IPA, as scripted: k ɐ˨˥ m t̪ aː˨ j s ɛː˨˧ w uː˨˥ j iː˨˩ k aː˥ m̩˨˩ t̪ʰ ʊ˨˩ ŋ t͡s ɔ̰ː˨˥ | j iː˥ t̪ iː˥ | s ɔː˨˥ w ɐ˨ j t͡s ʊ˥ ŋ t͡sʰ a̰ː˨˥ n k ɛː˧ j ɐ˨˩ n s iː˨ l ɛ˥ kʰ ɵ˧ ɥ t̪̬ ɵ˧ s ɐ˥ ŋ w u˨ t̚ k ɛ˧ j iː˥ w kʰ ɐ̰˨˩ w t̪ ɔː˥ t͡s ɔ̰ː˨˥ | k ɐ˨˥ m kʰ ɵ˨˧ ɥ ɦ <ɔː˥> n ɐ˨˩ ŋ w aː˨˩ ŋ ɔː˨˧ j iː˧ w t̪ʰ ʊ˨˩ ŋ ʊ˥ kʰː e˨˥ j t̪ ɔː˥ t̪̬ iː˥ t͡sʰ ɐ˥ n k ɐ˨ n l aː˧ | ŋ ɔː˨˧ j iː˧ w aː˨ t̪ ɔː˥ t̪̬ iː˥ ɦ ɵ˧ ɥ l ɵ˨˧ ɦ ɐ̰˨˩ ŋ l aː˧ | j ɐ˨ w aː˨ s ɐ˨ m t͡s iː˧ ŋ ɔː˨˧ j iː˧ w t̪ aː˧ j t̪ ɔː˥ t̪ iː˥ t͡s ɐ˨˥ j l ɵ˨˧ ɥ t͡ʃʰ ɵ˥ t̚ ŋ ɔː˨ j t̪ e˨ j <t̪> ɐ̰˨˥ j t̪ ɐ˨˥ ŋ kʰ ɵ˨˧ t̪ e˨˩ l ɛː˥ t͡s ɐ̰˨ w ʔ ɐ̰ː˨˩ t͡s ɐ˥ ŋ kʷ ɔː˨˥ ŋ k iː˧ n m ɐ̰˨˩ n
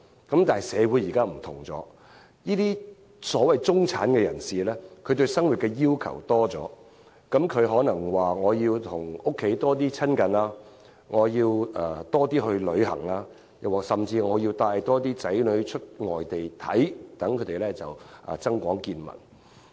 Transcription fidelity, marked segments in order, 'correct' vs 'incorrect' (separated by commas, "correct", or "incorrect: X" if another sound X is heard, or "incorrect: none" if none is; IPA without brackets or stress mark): incorrect: ɔː˨˥, incorrect: t̪ʰ